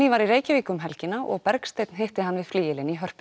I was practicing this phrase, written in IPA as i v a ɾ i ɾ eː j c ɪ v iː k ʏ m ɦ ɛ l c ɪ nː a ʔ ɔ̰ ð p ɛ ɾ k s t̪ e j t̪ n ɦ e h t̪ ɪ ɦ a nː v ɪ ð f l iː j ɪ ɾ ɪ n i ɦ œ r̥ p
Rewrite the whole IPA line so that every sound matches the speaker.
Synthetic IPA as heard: i v a ɾ i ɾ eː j c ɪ v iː k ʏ m ɦ ɛ l c ɪ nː a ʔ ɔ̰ ɣ p ɛ ɾ k s t̪ e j t̪ n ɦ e h t̪ ɪ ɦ a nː v ɪ ð f l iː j ɪ l ɪ n i ɦ œ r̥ p